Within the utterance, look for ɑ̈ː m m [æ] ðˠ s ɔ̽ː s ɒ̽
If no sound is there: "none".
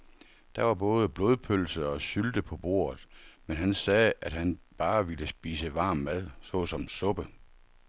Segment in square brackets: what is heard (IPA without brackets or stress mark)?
æ